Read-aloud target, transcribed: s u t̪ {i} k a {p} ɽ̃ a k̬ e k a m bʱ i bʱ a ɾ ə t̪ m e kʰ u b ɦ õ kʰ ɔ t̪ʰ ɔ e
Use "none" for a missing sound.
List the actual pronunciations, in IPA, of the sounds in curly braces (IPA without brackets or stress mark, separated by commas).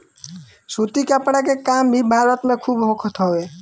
i, p